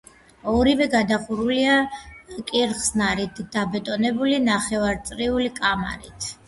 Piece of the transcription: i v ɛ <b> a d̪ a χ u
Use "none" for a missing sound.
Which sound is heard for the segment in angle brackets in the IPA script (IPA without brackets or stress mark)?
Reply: ɡ